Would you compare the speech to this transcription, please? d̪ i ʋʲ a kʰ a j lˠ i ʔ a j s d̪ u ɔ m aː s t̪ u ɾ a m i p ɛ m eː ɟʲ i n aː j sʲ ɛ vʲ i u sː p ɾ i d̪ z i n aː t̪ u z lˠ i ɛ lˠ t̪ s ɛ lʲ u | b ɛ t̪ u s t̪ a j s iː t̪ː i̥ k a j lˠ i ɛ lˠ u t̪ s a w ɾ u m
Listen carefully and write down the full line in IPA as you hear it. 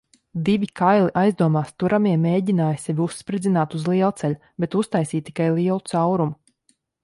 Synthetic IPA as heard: d̪ i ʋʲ i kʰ a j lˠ i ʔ a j z d̪ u ɔ m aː s t̪ u ɾ a m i ɛ m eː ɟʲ i n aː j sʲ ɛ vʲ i u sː p ɾ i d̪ z i n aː t̪ u z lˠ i ɛ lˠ t̪ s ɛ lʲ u | b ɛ t̪ u s t̪ a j s iː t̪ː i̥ k a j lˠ i ɛ lˠ u t̪ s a w ɾ u m

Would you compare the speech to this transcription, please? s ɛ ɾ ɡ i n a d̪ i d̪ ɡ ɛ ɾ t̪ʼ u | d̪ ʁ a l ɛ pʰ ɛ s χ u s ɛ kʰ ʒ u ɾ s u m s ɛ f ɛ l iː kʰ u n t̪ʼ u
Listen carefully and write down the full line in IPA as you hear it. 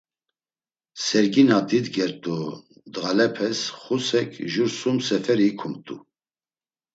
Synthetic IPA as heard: s ɛ ɾ ɡ i n a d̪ i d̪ ɡ ɛ ɾ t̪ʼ u | d̪ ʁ a l ɛ pʰ ɛ s χ u s ɛ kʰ ʒ u ɾ s u m s ɛ f ɛ ɾ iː kʰ u m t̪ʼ u

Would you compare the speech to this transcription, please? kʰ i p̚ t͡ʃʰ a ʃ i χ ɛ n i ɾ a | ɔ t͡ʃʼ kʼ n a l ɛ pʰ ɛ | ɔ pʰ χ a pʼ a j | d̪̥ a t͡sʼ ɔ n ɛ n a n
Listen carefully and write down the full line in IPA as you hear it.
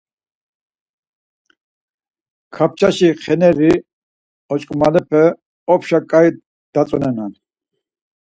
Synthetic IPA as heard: kʰ a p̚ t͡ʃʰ a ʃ i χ ɛ n ɛ ɾ i | ɔ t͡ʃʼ kʼ m a l ɛ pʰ ɛ | ɔ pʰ ʃ a kʼ a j | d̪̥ a t͡sʼ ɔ n ɛ n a n

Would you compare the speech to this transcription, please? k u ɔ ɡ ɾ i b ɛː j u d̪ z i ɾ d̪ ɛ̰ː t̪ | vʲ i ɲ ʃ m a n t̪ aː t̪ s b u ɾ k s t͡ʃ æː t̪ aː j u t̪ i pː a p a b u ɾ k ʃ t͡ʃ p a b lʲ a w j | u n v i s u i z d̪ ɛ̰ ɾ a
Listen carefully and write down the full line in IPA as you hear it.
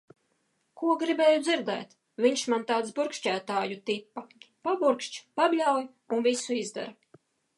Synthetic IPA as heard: k u ɔ ɡ ɾ i b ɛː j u d̪ z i ɾ d̪ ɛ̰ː t̪ | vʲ i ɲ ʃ m a n t̪ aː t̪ s b u ɾ k ʃ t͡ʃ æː t̪ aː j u t̪ i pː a p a b u ɾ k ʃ t͡ʃ p a b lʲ a w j | u n v i s u i z d̪ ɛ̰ ɾ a

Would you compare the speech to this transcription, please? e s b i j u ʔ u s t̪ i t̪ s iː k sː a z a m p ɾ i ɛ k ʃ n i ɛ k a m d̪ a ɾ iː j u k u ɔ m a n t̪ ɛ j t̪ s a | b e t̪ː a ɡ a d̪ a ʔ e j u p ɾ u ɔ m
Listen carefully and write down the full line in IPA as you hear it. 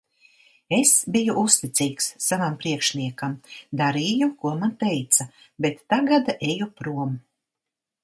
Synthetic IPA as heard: e s b i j u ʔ u s t̪ i t̪ s iː k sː a v a m p ɾ i ɛ k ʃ n i ɛ k a m d̪ a ɾ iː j u k u ɔ m a n t̪ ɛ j t̪ s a | b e t̪ː a ɡ a d̪ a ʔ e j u p ɾ u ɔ m

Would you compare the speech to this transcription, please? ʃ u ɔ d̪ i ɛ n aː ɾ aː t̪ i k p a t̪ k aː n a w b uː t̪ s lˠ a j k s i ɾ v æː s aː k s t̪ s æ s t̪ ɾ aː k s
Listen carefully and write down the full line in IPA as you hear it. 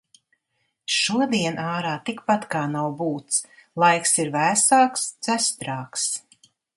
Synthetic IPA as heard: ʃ u ɔ d̪ i ɛ n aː ɾ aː t̪ i k p a t̪ k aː n a w b uː t̪ s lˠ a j k s i ɾ v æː s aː k s t̪ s æ s t̪ ɾ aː k s

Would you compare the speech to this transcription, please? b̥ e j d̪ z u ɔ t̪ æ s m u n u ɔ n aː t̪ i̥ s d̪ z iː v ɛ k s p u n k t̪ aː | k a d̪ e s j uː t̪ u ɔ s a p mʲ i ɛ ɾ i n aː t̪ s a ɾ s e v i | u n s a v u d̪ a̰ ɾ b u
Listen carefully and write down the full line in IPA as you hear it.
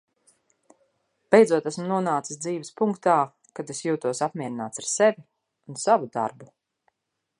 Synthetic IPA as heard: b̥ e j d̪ z u ɔ t̪ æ s m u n u ɔ n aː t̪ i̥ s d̪ z iː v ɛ s p u ŋ k t̪ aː | k a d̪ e s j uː t̪ u ɔ s a p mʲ i ɛ ɾ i n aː t̪ s a ɾ s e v i | u n s a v u d̪ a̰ ɾ b u

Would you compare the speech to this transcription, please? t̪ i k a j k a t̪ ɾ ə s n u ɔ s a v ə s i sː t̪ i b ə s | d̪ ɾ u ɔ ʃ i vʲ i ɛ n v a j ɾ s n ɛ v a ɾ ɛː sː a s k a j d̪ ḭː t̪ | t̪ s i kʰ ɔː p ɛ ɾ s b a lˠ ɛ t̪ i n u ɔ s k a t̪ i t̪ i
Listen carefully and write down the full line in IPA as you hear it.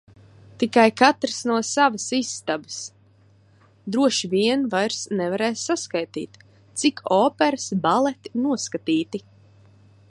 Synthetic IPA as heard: t̪ i k a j k a t̪ ɾ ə s n u ɔ s a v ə s i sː t̪ a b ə s | d̪ ɾ u ɔ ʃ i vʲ i ɛ n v a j ɾ s n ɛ v a ɾ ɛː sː a s k a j t̪ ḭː t̪ | t̪ s i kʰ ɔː p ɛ ɾ s b a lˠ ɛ t̪ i n u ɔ s k a t̪ iː t̪ i

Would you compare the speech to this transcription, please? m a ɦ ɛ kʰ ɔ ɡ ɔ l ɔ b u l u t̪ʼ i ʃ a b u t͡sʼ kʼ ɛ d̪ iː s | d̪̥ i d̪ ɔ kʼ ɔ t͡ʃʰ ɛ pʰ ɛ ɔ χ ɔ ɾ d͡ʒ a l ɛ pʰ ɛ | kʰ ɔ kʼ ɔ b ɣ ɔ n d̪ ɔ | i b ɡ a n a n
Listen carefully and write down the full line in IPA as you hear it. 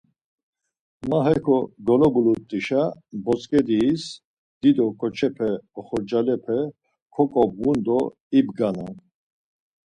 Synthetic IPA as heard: m a ɦ ɛ kʰ ɔ ɡ ɔ l ɔ b u l u t̪ʼ i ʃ a b ɔ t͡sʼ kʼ ɛ d̪ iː s | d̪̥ i d̪ ɔ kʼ ɔ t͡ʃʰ ɛ pʰ ɛ ɔ χ ɔ ɾ d͡ʒ a l ɛ pʰ ɛ | kʰ ɔ kʼ ɔ b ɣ u n d̪ ɔ | i b ɡ a n a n

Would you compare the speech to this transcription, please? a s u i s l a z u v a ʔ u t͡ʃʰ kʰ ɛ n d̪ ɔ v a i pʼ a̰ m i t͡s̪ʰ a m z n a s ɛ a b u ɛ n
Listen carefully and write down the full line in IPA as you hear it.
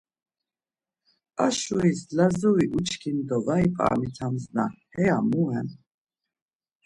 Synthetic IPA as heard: a ʃ u i s l a z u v i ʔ u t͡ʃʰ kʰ i n d̪ ɔ v a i pʼ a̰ m i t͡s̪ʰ a m z n a h ɛ a m u ɛ n

